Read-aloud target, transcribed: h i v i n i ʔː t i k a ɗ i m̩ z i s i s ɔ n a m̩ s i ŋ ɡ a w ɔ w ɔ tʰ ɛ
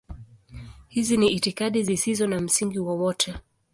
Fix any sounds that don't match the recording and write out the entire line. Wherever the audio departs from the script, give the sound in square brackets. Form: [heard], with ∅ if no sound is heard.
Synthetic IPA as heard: h i [z] i n i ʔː t i k a ɗ i [∅] z i s i [z] ɔ n a m̩ s i ŋ ɡ [i] w ɔ w ɔ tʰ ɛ